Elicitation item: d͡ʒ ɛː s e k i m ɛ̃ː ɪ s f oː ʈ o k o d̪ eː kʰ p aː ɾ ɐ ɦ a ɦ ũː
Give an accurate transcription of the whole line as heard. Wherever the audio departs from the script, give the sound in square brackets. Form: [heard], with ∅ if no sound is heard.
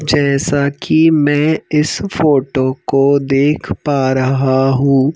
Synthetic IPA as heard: d͡ʒ ɛː s [a] k i m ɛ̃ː ɪ s f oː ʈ o k o d̪ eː kʰ p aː ɾ ɐ ɦ a ɦ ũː